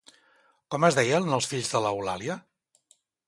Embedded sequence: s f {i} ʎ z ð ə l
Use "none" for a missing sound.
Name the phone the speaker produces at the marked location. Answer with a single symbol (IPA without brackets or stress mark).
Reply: i